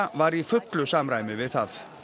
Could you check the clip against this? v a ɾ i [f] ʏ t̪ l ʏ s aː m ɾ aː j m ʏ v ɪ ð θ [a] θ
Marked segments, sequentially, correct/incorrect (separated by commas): correct, correct